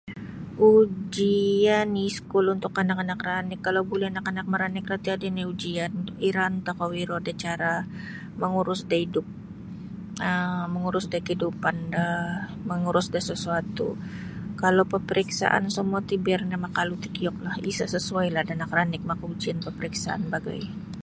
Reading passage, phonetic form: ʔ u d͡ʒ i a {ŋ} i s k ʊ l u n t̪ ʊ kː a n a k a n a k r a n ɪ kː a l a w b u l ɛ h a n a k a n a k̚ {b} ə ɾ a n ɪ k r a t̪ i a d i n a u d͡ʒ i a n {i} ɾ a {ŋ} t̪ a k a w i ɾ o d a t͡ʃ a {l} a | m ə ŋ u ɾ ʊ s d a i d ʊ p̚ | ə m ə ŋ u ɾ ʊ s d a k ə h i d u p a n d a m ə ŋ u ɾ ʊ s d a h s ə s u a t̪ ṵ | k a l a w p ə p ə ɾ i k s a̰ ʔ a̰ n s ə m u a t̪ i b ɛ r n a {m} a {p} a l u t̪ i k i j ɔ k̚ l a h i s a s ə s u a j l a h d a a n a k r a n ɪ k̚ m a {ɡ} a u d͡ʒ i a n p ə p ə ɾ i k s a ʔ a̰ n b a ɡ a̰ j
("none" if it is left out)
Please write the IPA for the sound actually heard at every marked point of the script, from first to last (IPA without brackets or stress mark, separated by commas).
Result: n, m, i, n, ɾ, m, k, k